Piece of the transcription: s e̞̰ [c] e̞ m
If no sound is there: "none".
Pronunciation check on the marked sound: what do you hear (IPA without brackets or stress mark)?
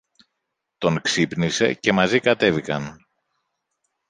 c